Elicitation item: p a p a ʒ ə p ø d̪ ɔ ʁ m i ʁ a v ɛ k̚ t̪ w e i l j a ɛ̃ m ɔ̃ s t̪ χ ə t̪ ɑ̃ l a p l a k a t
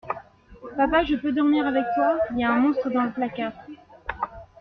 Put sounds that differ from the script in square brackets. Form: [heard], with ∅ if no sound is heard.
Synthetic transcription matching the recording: p a p a ʒ ə p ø d̪ ɔ ʁ m i ʁ a v ɛ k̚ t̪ w [a] i l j a ɛ̃ m ɔ̃ s t̪ χ ə [d̪] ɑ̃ l [ə] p l a k a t